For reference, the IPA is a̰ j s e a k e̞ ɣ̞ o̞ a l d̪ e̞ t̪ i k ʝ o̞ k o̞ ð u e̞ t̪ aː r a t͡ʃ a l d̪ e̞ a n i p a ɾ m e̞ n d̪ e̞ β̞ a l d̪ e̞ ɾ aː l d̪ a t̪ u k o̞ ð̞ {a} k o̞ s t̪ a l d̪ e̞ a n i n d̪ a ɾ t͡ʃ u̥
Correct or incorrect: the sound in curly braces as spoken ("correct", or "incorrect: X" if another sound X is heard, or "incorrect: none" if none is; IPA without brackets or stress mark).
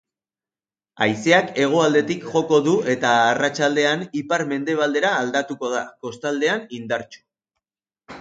correct